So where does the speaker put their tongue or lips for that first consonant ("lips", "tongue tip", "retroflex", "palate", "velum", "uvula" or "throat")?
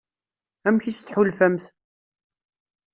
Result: lips